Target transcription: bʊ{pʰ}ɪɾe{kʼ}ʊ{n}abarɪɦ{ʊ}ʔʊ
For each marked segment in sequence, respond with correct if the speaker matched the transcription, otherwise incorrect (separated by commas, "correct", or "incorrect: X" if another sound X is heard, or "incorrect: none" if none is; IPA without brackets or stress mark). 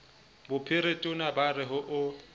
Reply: correct, incorrect: tʼ, correct, correct